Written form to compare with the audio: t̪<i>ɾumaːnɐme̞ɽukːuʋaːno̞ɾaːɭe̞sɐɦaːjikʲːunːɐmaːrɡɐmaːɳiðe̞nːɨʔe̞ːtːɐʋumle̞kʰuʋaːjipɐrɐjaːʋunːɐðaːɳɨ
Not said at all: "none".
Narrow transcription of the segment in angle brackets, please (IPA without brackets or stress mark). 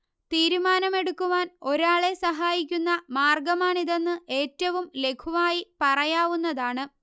iː